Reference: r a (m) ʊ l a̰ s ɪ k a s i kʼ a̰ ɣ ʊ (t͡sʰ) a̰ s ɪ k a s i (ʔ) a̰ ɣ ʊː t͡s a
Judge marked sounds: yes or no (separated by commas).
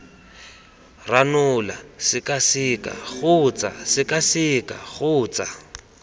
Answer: no, no, no